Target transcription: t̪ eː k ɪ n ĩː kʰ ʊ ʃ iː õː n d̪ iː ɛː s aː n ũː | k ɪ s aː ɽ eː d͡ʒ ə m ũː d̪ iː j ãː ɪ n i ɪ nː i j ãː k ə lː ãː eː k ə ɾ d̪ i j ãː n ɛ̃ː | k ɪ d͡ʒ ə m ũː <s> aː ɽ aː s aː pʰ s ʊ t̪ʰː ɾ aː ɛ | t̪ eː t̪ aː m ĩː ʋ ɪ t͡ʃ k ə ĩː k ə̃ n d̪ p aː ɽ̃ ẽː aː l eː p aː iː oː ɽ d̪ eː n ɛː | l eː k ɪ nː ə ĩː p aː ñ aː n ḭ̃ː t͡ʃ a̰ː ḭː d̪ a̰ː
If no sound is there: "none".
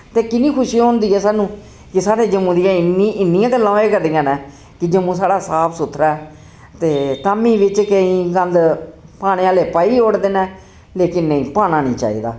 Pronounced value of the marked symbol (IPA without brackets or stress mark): s